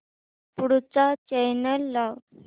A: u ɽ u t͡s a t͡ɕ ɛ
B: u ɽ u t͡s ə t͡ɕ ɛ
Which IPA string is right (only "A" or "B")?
A